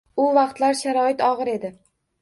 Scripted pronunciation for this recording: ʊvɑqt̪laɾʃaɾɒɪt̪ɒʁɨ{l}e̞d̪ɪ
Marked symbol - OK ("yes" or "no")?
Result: no